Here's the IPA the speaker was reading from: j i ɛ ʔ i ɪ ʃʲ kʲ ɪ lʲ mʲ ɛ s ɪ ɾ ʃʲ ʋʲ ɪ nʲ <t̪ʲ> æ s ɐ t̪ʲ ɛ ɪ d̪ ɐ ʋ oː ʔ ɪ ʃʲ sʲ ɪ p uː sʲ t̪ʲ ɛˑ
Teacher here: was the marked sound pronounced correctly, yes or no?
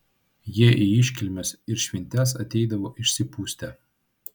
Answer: yes